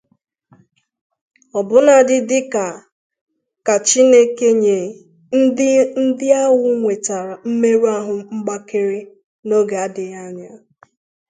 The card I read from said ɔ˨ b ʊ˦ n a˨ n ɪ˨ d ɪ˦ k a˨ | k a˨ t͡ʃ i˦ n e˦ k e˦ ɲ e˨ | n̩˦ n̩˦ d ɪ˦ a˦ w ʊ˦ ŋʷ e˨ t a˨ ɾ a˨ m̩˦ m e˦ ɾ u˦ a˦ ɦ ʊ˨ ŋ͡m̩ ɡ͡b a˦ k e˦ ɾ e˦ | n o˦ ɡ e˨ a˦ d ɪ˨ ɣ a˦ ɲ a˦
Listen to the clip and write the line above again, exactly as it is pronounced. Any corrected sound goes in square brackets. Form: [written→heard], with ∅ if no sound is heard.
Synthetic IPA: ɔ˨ b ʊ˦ n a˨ [n→d] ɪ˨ d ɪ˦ k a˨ | k a˨ t͡ʃ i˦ n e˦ k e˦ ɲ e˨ | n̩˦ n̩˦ d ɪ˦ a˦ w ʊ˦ ŋʷ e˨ t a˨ ɾ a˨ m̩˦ m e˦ ɾ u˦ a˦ ɦ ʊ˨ ŋ͡m̩ ɡ͡b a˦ k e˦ ɾ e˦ | n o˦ ɡ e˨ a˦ d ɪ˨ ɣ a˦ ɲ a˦